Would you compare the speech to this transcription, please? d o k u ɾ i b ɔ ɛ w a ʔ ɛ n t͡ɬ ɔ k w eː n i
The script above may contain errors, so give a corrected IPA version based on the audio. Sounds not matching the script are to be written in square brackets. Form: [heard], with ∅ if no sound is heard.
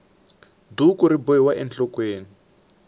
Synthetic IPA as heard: d [u] k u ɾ i b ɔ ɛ w a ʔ ɛ n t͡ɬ ɔ k w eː n i